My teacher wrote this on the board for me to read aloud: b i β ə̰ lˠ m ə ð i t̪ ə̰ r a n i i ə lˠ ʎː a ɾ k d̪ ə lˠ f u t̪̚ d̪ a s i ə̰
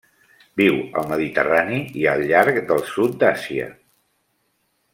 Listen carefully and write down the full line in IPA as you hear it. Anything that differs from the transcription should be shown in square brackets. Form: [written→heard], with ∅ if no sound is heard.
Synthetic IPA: b i [β→w] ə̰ lˠ m ə ð i t̪ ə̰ r a n i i ə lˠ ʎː a ɾ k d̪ ə lˠ [f→s] u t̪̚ d̪ a s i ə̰